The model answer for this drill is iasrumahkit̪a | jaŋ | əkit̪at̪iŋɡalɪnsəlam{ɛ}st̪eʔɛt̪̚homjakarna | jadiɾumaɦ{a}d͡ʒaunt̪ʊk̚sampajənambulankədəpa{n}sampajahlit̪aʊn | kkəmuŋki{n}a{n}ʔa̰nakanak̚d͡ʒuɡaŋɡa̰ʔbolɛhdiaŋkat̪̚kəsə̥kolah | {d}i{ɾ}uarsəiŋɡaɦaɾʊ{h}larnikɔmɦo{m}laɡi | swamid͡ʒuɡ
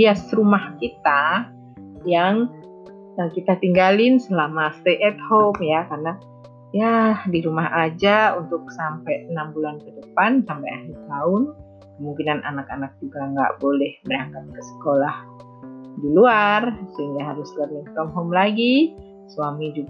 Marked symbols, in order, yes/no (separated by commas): no, yes, yes, yes, yes, yes, no, no, yes